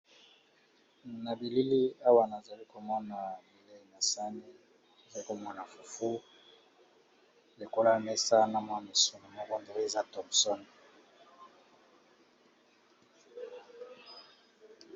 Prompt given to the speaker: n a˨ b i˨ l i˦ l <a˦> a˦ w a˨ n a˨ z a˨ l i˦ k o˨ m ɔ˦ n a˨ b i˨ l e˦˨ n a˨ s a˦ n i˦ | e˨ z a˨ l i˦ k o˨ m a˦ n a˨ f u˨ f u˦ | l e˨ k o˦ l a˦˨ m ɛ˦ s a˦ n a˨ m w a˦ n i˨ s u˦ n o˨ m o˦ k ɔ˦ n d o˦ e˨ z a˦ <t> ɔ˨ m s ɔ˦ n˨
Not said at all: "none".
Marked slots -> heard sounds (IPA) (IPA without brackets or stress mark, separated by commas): i˦, t